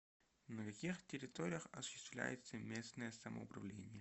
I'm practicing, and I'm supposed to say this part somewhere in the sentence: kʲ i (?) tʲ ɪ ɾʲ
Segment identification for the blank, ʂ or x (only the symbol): x